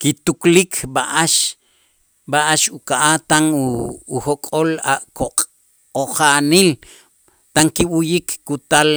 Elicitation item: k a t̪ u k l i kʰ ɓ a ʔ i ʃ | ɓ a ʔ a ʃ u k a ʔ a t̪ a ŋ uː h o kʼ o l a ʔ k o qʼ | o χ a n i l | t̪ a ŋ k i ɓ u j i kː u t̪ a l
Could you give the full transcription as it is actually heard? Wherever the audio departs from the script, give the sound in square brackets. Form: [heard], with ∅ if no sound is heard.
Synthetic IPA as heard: k [i] t̪ u k l i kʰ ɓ a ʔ [a] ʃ | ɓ a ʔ a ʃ u k a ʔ a t̪ a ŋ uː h o kʼ o l a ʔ k o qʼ | o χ a n i l | t̪ a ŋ k i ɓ u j i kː u t̪ a l